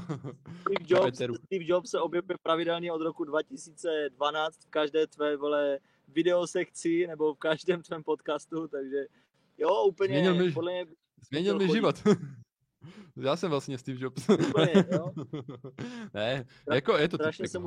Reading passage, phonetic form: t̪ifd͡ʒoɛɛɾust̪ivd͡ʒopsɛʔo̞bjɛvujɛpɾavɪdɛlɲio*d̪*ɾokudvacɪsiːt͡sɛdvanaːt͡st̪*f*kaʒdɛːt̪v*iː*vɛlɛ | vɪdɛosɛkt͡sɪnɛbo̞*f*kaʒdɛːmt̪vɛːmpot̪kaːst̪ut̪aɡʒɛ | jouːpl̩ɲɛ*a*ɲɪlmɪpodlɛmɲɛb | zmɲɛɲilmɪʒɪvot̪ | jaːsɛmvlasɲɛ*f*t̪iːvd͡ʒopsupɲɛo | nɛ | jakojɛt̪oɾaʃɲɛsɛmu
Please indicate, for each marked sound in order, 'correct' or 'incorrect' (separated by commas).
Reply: correct, correct, incorrect, correct, incorrect, incorrect